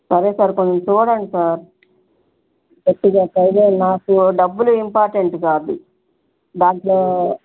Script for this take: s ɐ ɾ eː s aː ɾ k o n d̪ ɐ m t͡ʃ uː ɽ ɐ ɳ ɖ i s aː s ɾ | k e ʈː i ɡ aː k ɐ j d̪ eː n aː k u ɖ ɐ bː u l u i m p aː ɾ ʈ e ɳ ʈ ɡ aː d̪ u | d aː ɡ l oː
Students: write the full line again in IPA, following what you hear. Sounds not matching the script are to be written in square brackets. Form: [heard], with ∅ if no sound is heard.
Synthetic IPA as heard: s ɐ ɾ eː s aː ɾ k o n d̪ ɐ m t͡ʃ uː ɽ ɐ ɳ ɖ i s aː [∅] ɾ | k e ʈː i ɡ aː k ɐ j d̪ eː n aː k u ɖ ɐ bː u l u i m p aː ɾ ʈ e ɳ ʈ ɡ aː d̪ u | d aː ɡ l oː